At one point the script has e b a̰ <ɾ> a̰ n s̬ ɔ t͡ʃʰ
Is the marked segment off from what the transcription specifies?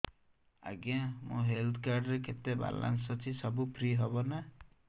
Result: yes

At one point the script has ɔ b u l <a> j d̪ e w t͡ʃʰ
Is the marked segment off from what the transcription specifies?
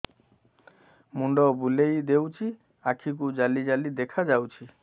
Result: yes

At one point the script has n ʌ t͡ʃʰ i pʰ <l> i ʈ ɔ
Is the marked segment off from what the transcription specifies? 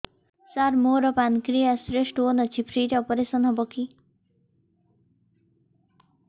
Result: yes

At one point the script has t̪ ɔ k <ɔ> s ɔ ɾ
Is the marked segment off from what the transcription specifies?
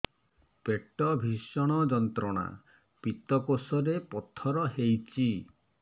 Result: yes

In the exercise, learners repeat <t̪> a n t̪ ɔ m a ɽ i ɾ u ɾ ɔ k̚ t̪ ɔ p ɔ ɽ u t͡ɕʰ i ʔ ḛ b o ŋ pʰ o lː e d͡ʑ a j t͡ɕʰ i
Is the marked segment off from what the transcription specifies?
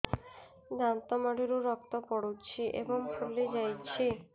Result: yes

